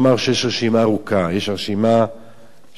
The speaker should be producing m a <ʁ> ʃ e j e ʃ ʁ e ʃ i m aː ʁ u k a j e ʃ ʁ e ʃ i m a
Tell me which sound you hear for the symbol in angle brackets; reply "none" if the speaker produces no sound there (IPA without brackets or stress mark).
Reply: ʁ